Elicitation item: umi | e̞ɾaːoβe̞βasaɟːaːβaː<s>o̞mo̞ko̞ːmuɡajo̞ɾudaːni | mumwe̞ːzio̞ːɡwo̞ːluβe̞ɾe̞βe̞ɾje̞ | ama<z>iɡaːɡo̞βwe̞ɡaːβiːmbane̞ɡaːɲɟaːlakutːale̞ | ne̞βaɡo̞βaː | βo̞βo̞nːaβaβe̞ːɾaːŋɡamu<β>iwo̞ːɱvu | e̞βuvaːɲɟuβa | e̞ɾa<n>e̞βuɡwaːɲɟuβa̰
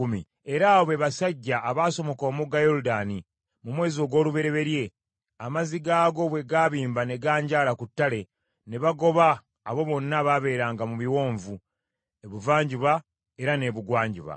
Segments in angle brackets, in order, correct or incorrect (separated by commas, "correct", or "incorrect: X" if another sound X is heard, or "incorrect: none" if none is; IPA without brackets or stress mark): correct, correct, correct, correct